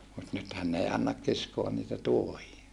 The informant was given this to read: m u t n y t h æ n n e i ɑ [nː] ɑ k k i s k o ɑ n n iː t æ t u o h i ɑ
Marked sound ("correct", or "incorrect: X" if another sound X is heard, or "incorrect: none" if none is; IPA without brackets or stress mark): correct